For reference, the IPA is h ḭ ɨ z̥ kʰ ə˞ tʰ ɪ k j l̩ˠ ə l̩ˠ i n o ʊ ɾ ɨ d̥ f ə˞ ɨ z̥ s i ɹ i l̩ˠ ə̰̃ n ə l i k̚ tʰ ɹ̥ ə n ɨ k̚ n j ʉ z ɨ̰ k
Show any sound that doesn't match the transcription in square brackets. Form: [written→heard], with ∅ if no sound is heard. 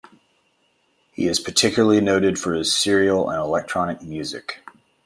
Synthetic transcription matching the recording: h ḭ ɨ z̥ [kʰ→pʰ] ə˞ tʰ ɪ k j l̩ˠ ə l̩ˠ i n o ʊ ɾ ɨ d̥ f ə˞ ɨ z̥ s [i→ɪ] ɹ i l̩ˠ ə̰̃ n ə l [i→ɛ] k̚ tʰ ɹ̥ [ə→ɑ] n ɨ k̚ [n→m] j ʉ z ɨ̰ k